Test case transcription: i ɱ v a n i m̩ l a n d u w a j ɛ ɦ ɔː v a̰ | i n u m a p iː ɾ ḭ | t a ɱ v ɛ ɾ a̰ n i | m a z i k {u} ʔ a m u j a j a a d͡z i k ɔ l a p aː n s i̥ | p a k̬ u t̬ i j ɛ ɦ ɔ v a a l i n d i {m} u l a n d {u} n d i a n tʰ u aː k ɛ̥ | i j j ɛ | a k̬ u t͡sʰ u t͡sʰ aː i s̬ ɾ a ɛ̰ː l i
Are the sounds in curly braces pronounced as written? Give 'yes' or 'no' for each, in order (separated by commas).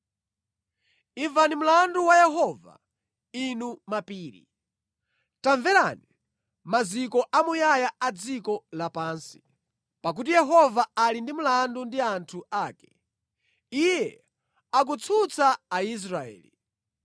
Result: no, yes, yes